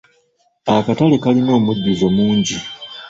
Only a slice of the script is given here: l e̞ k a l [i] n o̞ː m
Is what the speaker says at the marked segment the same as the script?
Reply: yes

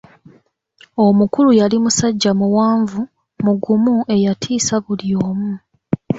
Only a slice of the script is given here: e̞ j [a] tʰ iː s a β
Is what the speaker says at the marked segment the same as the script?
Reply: yes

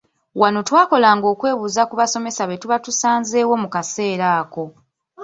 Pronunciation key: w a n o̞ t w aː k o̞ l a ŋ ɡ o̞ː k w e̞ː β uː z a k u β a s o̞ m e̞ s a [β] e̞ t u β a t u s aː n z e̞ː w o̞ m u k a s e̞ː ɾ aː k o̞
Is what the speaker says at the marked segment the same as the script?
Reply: yes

